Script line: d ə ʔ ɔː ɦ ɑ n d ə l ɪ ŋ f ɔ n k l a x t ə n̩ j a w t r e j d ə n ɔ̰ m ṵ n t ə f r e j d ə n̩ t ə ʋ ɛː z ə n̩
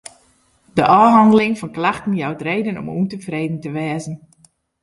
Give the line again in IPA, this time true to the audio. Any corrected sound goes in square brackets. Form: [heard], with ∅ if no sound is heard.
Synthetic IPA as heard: d ə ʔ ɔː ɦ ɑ n d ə l ɪ ŋ f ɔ n k l a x t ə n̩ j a w t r e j d ə n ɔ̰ m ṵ n t ə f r e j d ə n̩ t ə ʋ ɛː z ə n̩